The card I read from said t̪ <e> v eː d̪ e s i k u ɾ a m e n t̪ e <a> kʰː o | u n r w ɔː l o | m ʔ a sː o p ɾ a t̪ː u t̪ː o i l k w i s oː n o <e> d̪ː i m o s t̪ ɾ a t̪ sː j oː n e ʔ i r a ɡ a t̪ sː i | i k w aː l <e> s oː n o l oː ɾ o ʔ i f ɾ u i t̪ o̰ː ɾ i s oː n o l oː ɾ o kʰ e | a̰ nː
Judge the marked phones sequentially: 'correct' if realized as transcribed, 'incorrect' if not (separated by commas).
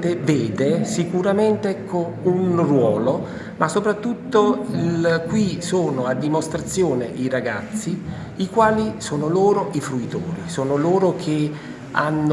correct, incorrect, incorrect, incorrect